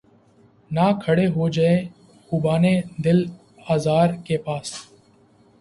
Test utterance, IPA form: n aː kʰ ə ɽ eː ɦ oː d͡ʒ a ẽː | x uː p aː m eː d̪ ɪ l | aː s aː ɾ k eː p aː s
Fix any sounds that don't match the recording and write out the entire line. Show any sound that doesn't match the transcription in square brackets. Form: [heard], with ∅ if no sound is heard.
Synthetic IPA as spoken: n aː kʰ ə ɽ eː ɦ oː d͡ʒ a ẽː | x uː [b] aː [n] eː d̪ ɪ l | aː [z] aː ɾ k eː p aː s